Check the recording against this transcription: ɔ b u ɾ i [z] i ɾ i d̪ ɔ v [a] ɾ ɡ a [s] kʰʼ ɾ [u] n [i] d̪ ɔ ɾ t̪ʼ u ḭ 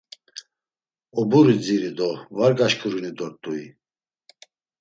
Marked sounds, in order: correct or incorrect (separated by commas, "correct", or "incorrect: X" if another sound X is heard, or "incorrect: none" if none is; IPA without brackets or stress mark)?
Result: incorrect: d͡z, correct, incorrect: ʃ, correct, correct